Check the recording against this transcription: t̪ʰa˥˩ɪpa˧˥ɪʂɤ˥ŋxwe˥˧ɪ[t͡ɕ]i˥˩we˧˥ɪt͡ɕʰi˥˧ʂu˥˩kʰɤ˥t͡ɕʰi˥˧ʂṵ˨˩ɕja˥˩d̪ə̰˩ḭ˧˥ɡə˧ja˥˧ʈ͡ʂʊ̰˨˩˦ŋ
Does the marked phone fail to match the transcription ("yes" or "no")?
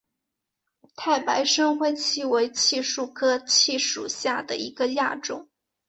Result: yes